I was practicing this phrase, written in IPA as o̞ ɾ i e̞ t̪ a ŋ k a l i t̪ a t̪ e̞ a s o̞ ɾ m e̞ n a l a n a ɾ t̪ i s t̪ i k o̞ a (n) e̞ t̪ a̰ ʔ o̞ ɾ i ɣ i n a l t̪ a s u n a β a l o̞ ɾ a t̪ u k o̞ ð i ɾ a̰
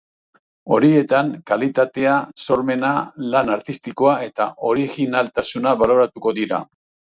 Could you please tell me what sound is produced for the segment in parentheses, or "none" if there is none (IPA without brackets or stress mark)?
none